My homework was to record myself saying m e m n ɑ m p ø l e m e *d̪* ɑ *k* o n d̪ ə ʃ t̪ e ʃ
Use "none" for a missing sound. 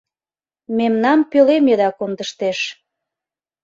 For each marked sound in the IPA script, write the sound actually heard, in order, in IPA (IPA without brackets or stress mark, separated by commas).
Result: d̪, k